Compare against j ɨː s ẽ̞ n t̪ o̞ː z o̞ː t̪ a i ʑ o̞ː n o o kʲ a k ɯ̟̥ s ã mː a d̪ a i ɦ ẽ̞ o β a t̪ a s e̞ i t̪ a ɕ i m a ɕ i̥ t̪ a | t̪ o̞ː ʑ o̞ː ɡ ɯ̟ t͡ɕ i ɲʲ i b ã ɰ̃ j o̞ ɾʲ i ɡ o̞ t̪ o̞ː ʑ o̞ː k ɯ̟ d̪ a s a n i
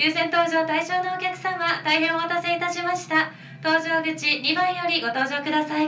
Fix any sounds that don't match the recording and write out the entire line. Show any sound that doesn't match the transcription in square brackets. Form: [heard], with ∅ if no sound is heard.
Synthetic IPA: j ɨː s ẽ̞ n t̪ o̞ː [ʑ] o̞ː t̪ a i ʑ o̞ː n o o kʲ a k ɯ̟̥ s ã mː a [t̪] a i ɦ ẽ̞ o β a t̪ a s e̞ i t̪ a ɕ i m a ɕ i̥ t̪ a | t̪ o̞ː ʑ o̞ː ɡ ɯ̟ t͡ɕ i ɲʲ i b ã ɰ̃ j o̞ ɾʲ i ɡ o̞ t̪ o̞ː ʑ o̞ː k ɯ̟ d̪ a s a [∅] i